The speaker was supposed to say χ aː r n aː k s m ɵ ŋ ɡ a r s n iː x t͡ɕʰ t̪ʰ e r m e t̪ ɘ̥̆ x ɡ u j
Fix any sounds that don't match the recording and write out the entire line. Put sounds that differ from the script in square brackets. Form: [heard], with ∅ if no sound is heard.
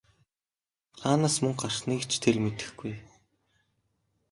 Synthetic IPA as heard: χ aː [∅] n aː [∅] s m ɵ ŋ [ɢ] a r [χ] n iː [k] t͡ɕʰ t̪ʰ e r m e t̪ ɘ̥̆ x ɡ u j

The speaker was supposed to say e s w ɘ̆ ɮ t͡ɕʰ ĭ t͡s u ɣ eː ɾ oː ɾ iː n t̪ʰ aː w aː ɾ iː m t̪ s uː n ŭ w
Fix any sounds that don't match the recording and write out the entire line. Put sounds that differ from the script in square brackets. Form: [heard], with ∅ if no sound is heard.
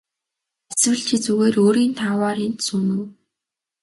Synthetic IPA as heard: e s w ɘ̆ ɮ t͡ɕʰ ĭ t͡s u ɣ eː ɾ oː ɾ iː n t̪ʰ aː w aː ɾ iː [n] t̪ s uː n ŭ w

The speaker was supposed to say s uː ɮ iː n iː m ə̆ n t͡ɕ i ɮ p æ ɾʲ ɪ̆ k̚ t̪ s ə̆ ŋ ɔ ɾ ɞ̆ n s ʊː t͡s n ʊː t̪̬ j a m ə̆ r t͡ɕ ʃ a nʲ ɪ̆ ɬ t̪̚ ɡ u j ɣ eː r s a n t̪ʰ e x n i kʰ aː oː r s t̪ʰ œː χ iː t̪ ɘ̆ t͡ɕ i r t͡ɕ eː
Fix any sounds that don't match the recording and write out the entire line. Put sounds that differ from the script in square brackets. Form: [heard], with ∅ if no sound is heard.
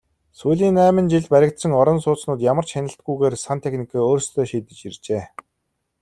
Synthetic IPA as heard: s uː ɮ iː n [æː] m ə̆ n t͡ɕ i ɮ p æ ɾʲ ɪ̆ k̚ t̪ s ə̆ ŋ ɔ ɾ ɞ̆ n s ʊː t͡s n ʊː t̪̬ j a m ə̆ r t͡ɕ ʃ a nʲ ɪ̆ ɬ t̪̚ ɡ u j ɣ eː r s a n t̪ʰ e x n i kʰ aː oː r s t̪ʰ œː [ʃ] iː t̪ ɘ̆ t͡ɕ i r t͡ɕ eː

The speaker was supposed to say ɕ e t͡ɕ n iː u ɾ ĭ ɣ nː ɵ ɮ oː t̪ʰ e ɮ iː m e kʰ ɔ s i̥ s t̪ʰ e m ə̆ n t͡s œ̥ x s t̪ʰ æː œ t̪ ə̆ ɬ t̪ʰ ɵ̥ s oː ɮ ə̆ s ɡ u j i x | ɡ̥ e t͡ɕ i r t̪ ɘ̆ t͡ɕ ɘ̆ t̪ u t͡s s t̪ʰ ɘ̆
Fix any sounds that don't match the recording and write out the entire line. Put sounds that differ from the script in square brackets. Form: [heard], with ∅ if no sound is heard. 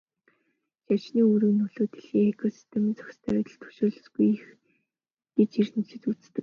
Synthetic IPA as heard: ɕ [a] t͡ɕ n iː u ɾ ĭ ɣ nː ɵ ɮ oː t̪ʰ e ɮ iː [ŋ] e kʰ ɔ s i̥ s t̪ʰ e m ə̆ n t͡s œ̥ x s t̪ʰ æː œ t̪ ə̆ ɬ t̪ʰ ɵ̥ [ʃ] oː ɮ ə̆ s ɡ u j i x | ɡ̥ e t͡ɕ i r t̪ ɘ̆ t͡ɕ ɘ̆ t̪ u t͡s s [t̪] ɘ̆

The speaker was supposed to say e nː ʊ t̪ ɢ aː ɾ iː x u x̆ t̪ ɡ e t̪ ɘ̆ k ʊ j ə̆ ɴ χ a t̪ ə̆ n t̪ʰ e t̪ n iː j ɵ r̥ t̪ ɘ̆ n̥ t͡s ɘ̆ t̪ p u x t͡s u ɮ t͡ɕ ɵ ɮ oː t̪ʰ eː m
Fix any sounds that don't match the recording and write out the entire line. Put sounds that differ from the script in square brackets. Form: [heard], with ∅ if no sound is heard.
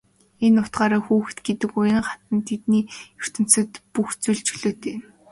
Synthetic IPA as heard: e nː ʊ t̪ ɢ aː ɾ [aː] x [uː] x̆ t̪ ɡ e t̪ ɘ̆ k ʊ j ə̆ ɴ χ a t̪ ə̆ n t̪ʰ e t̪ n iː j ɵ r̥ t̪ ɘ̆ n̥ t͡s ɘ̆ t̪ p u x t͡s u ɮ t͡ɕ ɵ ɮ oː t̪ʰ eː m

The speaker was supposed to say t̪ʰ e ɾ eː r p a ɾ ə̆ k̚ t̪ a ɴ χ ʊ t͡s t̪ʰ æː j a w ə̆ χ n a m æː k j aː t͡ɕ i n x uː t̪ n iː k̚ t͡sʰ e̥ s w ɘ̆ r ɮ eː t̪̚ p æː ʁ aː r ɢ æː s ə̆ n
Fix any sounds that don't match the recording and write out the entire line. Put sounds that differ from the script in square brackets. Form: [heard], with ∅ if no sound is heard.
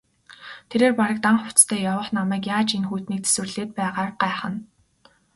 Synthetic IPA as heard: t̪ʰ e ɾ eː r p a ɾ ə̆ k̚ t̪ a ɴ χ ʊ t͡s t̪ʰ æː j a w ə̆ χ n a m æː k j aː t͡ɕ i n x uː t̪ n iː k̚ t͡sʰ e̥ s w ɘ̆ r ɮ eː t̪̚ p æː ʁ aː r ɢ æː [χ] ə̆ n

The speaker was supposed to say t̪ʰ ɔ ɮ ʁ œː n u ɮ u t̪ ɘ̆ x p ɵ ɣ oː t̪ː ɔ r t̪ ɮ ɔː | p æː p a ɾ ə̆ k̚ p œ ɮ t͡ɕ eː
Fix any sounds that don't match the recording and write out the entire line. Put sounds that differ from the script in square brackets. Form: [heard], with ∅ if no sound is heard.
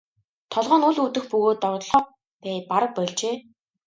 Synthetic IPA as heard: t̪ʰ ɔ ɮ ʁ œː n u ɮ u t̪ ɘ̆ x p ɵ ɣ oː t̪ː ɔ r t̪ ɮ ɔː | p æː p a ɾ ə̆ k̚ p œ ɮ t͡ɕ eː

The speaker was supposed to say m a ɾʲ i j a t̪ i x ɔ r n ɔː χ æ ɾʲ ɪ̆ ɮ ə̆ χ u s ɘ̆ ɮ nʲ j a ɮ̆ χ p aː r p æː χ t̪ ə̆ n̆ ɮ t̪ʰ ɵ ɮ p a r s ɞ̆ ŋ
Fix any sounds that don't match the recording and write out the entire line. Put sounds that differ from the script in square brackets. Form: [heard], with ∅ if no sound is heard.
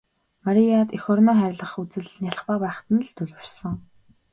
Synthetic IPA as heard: m a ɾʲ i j a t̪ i x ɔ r n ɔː χ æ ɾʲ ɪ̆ ɮ ə̆ χ u [t͡s] ɘ̆ ɮ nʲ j a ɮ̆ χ p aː [∅] p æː χ t̪ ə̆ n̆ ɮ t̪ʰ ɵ ɮ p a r s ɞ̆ ŋ

